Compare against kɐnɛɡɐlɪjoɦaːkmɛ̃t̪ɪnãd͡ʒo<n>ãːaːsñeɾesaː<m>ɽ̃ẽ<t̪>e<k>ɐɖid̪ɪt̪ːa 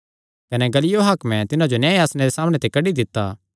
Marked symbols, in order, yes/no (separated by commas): yes, yes, yes, yes